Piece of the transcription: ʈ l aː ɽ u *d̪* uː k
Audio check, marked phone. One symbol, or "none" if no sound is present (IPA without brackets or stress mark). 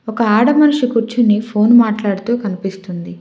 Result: t̪